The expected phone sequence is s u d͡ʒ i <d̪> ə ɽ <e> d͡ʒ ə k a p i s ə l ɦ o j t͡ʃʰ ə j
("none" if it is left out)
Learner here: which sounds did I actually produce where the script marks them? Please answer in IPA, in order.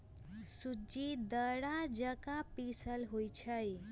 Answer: d̪, a

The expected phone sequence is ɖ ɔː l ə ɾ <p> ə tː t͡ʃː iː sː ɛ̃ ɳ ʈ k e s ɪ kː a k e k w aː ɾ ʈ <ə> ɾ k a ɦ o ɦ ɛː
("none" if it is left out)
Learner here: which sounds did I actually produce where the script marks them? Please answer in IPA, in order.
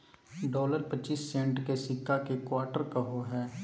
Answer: p, ə

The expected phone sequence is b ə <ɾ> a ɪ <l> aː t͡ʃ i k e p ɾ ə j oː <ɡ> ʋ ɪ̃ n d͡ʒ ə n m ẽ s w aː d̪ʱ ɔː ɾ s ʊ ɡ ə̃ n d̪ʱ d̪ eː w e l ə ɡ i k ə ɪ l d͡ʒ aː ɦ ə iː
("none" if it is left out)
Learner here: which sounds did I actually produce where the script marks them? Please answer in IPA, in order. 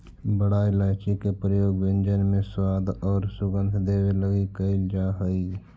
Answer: ɽ, l, ɡ

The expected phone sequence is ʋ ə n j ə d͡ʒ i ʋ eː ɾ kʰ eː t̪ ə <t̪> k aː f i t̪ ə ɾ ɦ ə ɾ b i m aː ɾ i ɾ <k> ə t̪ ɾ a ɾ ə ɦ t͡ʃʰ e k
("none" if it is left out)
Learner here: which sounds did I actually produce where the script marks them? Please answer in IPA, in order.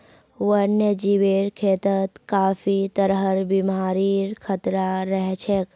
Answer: t̪, kʰ

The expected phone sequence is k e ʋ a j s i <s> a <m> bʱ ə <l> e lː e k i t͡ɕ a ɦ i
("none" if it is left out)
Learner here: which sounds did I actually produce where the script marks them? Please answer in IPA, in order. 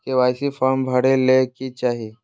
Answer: f, m, ɽ

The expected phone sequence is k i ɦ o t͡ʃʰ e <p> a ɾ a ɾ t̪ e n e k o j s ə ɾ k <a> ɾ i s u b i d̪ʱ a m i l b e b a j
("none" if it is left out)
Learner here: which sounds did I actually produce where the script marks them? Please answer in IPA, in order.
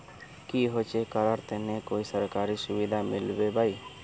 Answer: k, a

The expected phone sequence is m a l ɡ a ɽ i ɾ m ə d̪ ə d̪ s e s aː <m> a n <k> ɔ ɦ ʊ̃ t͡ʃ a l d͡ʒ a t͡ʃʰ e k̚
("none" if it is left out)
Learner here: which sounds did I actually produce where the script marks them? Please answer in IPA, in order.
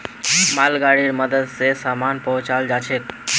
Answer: m, p

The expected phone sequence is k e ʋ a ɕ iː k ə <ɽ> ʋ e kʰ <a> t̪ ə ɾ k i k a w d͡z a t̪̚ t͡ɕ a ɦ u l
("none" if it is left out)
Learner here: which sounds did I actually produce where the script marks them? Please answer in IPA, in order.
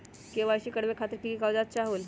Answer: ɽ, a

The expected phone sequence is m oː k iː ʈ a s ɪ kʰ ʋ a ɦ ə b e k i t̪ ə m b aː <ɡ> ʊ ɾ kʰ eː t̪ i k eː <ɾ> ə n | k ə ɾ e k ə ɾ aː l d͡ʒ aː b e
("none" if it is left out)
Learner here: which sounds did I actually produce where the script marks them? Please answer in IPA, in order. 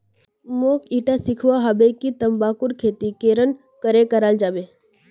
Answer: k, ɾ

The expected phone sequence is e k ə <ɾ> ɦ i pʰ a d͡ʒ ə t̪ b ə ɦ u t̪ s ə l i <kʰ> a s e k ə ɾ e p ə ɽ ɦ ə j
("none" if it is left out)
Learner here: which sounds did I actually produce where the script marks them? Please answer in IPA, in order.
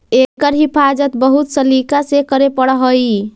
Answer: ɾ, k

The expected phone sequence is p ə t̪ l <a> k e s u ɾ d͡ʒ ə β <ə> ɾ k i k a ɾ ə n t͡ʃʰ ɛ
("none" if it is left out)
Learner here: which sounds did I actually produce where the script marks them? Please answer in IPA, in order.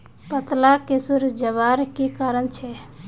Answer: a, a

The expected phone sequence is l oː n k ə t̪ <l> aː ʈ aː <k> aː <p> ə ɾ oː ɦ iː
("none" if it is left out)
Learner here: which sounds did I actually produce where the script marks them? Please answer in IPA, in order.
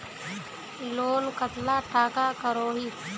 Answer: l, k, k

